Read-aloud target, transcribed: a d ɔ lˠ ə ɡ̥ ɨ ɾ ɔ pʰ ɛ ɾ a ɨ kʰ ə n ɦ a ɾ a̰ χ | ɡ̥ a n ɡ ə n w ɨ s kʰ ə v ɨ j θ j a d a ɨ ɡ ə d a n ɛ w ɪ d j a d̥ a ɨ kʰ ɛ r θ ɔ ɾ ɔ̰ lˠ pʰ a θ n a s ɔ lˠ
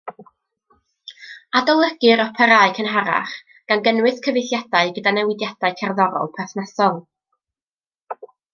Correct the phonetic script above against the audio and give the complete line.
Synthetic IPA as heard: a d ɔ lˠ ə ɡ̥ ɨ ɾ ɔ pʰ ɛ ɾ a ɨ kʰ ə n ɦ a ɾ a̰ χ | ɡ̥ a n ɡ ə n w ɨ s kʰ ə v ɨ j θ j a d a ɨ ɡ ə d a n ɛ w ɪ d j a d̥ a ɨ kʰ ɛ r ð ɔ ɾ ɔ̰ lˠ pʰ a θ n a s ɔ lˠ